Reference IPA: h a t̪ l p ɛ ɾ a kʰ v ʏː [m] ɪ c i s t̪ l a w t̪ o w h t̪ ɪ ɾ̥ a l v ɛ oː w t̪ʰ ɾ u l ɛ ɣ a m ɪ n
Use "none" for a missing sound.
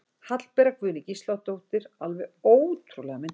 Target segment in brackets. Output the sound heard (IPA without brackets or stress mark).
n